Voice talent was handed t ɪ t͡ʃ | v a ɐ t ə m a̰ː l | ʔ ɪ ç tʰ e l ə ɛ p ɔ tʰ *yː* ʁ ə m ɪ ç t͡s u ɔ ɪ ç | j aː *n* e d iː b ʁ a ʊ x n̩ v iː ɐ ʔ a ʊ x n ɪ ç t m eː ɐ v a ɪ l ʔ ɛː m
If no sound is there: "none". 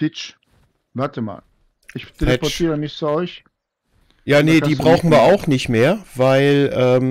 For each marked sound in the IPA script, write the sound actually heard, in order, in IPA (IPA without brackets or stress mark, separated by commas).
iː, n